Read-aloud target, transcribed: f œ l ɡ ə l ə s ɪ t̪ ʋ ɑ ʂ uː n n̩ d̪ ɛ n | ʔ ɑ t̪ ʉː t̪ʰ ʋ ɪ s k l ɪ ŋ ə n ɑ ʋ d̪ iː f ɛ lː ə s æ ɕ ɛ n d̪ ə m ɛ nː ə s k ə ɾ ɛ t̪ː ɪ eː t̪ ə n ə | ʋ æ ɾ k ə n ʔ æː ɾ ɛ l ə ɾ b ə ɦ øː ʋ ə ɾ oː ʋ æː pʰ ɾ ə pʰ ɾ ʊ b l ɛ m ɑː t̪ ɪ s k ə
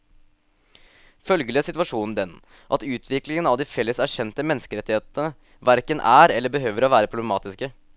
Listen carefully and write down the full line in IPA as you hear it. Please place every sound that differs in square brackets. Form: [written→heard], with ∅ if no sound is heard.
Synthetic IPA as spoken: f œ l ɡ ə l ə s ɪ t̪ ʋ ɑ ʂ uː n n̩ d̪ ɛ n | ʔ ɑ t̪ ʉː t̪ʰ ʋ ɪ [s→∅] k l ɪ ŋ ə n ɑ ʋ d̪ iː f ɛ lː ə s æ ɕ ɛ n [d̪→t̪] ə m ɛ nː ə s k ə ɾ ɛ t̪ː ɪ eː t̪ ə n ə | ʋ æ ɾ k ə n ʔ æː ɾ ɛ [l→lː] ə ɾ b ə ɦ øː ʋ ə ɾ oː ʋ æː [pʰ→∅] ɾ ə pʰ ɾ ʊ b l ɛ m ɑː t̪ ɪ s k ə